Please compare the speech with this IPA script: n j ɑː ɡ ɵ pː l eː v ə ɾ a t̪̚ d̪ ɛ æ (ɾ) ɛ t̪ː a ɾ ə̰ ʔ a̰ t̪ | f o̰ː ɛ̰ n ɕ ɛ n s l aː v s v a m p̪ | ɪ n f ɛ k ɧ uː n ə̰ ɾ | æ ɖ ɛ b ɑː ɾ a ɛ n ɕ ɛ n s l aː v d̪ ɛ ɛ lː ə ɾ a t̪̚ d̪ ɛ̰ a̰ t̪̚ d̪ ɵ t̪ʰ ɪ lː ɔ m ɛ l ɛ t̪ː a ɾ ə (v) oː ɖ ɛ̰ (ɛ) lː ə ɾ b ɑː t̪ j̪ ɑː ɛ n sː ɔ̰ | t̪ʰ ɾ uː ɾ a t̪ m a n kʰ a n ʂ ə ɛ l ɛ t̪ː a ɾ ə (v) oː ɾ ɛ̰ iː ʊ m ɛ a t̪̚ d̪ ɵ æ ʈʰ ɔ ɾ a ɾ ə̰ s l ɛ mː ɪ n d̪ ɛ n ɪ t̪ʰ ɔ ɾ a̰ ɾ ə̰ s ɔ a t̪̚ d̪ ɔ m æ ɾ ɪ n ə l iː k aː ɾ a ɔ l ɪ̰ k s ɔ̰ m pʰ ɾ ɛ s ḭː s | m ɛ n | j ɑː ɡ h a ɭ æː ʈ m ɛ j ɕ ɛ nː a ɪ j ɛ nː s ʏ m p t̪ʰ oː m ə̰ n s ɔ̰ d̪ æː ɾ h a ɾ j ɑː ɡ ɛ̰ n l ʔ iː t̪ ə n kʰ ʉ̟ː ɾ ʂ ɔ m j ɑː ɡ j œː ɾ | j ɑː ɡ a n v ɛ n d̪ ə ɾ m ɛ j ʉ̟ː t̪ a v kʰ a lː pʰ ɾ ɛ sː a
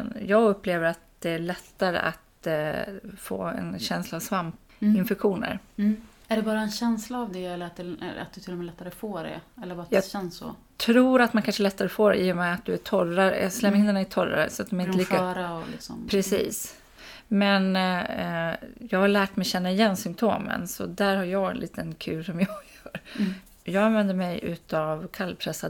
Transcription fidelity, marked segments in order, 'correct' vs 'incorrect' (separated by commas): incorrect, incorrect, correct, incorrect